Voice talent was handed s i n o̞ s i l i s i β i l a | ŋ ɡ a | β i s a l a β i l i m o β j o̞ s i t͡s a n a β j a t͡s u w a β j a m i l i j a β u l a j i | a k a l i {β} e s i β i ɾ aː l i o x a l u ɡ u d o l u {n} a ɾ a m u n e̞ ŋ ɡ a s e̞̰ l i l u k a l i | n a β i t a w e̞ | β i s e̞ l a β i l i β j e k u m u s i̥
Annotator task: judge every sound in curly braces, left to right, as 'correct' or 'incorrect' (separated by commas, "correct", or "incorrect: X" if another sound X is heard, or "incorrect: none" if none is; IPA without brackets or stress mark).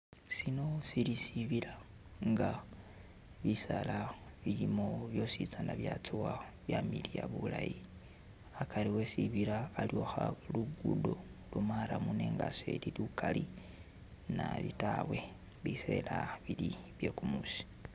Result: incorrect: w, incorrect: m